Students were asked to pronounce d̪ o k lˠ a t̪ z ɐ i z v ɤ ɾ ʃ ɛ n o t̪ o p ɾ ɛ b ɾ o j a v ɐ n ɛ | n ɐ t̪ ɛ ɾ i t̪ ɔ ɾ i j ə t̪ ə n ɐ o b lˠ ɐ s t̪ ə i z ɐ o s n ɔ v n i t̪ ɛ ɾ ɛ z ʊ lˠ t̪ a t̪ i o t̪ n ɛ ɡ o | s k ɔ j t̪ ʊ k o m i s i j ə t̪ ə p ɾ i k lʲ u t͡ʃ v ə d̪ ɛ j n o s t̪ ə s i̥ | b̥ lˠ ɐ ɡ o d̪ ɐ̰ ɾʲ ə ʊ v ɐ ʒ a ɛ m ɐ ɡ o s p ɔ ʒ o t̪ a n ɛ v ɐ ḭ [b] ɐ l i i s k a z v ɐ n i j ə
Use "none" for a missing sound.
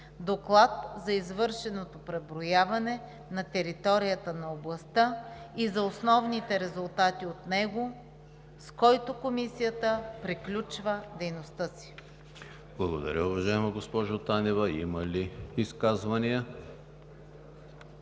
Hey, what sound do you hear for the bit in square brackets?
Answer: m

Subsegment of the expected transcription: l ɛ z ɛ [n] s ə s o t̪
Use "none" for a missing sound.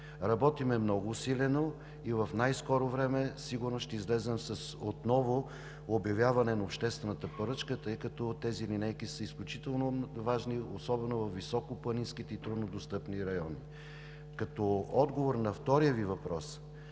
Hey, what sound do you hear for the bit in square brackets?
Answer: m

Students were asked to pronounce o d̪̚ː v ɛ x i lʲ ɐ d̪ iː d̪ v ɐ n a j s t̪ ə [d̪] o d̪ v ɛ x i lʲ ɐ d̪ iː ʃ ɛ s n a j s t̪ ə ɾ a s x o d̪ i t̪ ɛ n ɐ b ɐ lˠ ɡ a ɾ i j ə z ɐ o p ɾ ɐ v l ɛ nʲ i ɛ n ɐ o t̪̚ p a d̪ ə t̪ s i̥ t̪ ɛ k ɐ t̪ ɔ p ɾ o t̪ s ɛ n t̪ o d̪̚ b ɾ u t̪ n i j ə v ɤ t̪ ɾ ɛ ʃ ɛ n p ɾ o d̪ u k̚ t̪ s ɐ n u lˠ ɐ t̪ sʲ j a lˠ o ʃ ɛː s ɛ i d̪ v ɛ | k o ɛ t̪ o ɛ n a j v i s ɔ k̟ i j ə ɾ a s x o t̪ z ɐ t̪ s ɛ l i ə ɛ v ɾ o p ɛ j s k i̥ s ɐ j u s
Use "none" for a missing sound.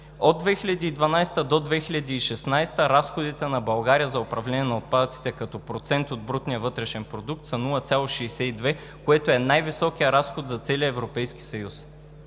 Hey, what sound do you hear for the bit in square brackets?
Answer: d̪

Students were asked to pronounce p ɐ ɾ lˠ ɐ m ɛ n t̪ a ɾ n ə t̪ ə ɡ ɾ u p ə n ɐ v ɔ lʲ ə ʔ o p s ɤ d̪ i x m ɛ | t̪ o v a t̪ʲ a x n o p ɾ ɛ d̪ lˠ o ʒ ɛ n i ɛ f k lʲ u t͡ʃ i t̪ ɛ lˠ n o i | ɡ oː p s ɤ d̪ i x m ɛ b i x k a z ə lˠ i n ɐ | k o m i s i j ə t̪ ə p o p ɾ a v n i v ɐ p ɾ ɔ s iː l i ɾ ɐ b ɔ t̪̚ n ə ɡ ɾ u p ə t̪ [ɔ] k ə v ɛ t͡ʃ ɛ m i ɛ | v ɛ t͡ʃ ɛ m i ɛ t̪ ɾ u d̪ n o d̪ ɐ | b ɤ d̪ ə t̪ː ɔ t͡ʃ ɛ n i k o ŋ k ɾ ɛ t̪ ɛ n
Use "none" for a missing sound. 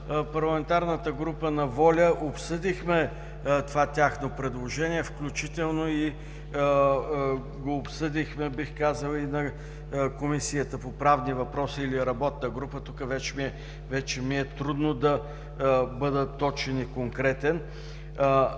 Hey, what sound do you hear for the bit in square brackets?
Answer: u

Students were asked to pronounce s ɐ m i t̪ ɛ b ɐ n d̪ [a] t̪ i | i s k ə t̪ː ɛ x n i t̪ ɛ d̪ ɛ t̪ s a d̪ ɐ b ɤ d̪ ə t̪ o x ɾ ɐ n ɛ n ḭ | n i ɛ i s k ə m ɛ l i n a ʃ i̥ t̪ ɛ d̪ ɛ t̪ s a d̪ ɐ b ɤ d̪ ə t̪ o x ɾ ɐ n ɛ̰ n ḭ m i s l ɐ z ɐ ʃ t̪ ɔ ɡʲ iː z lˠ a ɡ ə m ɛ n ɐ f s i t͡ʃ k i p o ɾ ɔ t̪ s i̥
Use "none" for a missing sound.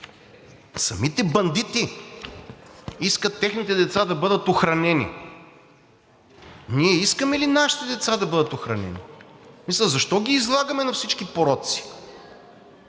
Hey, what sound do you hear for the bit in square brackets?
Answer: i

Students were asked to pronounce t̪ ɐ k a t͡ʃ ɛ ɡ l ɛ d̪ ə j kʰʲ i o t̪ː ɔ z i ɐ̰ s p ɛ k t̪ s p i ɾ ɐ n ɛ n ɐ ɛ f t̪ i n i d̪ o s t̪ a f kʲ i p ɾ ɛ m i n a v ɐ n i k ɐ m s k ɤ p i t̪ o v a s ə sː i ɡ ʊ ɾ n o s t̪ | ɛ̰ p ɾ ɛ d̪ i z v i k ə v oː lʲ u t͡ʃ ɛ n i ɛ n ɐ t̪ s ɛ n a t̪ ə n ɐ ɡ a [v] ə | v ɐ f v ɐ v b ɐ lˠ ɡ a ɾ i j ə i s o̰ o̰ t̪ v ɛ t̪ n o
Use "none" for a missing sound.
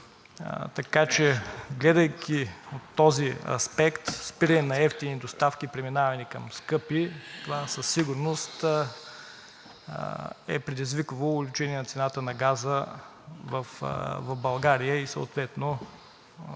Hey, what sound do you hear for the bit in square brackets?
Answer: z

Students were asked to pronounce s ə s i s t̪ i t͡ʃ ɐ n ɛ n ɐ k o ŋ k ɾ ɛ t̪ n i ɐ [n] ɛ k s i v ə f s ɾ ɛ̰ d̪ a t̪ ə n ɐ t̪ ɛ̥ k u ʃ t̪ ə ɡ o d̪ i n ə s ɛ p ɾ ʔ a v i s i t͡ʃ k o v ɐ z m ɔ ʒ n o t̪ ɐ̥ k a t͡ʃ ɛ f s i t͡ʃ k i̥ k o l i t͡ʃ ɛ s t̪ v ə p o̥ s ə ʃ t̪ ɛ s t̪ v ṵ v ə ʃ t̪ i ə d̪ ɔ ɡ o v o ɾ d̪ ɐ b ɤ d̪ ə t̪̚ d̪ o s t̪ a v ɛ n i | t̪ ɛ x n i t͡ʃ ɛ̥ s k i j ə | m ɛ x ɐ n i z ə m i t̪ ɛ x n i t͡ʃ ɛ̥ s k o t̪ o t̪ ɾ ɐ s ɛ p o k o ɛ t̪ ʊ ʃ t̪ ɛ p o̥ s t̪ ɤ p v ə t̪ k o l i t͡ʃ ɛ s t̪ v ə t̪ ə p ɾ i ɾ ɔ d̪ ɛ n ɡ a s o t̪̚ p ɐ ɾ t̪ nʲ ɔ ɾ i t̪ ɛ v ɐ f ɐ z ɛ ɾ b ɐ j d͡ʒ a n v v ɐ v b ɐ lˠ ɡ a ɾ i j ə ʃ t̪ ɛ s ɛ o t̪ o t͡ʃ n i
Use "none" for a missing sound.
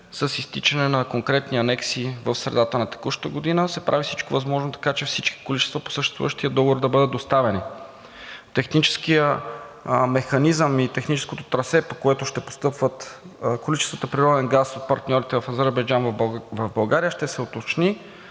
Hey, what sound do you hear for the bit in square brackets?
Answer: n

